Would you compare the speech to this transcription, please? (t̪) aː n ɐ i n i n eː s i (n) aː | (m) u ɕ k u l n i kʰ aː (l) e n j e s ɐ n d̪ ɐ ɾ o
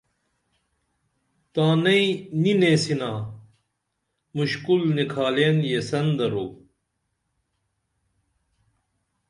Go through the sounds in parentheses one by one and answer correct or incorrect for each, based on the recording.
correct, correct, correct, correct

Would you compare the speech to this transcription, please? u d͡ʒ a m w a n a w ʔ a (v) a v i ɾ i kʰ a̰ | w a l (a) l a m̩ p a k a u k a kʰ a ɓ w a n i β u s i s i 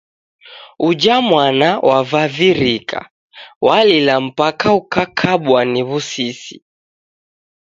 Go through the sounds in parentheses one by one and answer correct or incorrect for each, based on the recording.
correct, incorrect: i

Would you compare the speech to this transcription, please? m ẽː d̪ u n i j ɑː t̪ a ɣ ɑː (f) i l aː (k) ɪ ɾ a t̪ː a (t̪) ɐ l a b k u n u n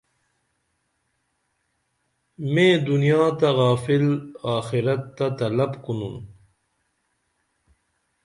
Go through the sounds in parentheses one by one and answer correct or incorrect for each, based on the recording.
correct, incorrect: x, correct

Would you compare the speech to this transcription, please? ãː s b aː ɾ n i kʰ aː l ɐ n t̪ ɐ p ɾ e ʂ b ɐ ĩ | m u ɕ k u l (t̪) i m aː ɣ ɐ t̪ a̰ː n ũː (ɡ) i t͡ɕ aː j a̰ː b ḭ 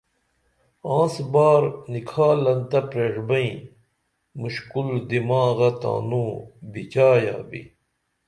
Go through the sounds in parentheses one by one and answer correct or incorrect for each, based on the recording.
incorrect: d̪, incorrect: b

